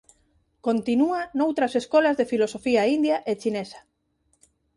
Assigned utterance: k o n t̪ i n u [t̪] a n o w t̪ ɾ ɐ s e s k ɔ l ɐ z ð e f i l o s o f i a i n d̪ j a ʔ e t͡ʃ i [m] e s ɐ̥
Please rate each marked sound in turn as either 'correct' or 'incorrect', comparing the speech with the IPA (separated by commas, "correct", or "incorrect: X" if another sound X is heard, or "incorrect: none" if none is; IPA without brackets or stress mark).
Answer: incorrect: none, incorrect: n